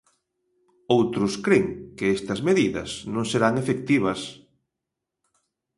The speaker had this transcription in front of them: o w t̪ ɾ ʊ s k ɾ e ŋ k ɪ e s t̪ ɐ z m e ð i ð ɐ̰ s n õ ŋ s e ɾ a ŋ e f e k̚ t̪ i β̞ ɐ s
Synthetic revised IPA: o w t̪ ɾ ʊ s k ɾ e ŋ k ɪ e s t̪ ɐ z m e ð i ð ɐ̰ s n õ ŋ s e ɾ a ŋ e f e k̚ t̪ i β̞ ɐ s

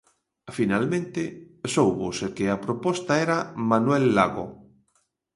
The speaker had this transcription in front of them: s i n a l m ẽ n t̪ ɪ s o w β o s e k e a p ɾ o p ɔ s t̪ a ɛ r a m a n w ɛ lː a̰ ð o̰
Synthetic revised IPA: f i n a l m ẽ n t̪ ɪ s o w β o s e k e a p ɾ o p ɔ s t̪ a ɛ ɾ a m a n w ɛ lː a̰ ɣ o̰

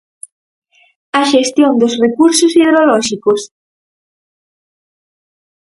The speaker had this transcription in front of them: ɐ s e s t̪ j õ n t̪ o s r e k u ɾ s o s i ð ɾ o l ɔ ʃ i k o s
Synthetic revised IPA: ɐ ʃ e s t̪ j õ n d̪ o s r e k u ɾ s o s i ð ɾ o l ɔ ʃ i k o s

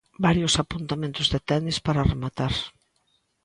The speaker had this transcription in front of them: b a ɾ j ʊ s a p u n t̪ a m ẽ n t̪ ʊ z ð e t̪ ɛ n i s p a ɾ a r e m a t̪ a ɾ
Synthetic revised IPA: b a ɾ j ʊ s a p u n t̪ a m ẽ n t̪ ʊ z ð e t̪ ɛ n i s p a ɾ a r e m a t̪ a ɾ

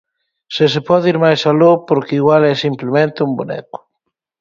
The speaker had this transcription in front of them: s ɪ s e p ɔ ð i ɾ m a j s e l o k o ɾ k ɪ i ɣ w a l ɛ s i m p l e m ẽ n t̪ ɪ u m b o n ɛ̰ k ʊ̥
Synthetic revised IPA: s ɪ s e p ɔ ð i ɾ m a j s a l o p o ɾ k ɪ i ɣ w a l ɛ s i m p l e m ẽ n t̪ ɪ u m b o n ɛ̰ k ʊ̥

